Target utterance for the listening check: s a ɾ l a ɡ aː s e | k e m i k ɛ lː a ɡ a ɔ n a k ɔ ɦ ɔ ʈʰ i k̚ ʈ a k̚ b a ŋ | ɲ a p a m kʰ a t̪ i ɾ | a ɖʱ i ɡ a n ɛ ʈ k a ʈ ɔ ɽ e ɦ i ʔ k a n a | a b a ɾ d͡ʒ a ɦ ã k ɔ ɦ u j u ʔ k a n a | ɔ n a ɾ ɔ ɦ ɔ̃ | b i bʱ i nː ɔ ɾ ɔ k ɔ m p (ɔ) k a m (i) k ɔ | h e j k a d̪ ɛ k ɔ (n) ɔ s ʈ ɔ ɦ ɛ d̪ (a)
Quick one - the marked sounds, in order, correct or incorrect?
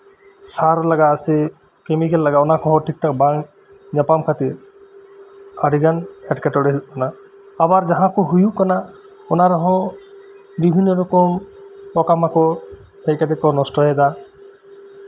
correct, incorrect, correct, correct

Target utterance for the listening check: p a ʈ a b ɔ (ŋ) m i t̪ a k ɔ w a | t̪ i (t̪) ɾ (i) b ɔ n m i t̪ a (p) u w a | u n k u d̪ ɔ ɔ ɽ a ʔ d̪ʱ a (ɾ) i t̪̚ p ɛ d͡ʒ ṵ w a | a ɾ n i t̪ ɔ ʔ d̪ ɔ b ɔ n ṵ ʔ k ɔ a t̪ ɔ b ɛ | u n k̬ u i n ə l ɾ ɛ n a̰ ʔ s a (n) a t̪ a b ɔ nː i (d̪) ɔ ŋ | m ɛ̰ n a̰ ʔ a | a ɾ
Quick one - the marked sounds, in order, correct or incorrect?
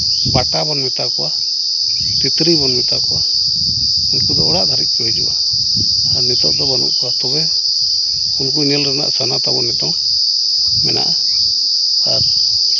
incorrect, correct, correct, incorrect, correct, correct, incorrect

